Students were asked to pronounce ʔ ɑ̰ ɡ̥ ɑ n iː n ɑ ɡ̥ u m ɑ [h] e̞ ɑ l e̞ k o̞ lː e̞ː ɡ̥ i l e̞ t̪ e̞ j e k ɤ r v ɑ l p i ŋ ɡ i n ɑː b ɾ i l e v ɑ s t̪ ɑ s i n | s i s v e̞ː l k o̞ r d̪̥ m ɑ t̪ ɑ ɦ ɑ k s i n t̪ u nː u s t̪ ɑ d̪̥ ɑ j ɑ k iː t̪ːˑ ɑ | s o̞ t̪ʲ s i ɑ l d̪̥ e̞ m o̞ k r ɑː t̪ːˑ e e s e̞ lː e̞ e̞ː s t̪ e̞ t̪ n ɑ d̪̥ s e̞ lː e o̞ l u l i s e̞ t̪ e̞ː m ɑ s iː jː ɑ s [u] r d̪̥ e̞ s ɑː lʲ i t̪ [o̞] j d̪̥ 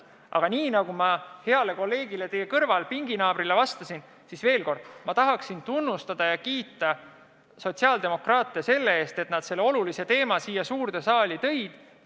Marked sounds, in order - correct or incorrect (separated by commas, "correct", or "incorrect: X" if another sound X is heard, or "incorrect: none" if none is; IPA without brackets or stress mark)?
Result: correct, incorrect: uː, incorrect: ɤ̞